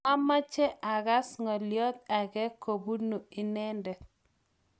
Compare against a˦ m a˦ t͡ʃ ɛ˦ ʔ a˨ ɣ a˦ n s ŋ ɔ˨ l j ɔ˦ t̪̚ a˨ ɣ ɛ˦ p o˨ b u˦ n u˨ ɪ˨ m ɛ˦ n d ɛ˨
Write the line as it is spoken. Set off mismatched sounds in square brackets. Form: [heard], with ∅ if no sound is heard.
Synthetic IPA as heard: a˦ m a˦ t͡ʃ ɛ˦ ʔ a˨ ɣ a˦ [∅] s ŋ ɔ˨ l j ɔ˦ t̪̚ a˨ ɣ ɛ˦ [k] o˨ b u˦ n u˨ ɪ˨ [n] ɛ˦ n d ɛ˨